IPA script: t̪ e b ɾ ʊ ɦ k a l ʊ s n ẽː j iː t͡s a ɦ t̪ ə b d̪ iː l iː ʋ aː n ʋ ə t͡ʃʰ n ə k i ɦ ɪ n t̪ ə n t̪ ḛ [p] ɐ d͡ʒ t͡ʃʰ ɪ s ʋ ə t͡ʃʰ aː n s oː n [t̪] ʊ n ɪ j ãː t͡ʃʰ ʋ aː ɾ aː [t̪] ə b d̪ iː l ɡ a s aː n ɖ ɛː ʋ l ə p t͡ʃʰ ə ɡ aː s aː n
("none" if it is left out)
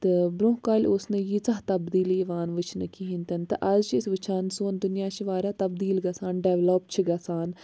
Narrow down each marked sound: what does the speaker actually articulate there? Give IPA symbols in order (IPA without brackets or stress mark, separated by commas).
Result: ʔ, d̪, t̪